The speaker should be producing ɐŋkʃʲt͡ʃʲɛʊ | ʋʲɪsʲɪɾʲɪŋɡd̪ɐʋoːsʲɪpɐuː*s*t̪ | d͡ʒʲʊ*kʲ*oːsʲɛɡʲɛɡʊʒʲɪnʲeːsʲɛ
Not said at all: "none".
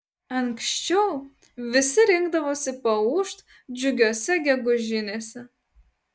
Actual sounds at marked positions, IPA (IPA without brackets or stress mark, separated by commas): ʃ, ɡʲ